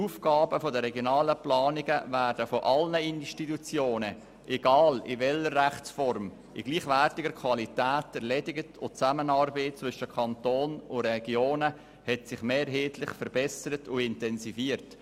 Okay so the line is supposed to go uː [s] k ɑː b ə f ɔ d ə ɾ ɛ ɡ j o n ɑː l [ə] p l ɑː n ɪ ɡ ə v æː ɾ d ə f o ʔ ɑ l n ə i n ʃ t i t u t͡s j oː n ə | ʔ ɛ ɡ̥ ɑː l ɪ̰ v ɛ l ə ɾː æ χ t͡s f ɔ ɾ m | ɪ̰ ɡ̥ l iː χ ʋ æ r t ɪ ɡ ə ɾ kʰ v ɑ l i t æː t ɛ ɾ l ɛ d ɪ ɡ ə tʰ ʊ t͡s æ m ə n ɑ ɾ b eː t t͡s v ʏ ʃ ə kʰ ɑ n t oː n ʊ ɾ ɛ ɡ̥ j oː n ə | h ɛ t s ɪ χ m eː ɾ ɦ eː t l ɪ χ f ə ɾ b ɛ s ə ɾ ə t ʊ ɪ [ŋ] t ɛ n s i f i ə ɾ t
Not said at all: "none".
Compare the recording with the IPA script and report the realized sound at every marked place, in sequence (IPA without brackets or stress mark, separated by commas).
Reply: f, ə, n